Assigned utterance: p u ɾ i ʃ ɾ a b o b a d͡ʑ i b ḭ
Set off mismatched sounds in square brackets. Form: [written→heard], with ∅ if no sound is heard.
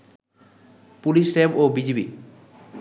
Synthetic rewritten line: p u [ɾ→l] i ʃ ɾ [a→e] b o b [a→i] d͡ʑ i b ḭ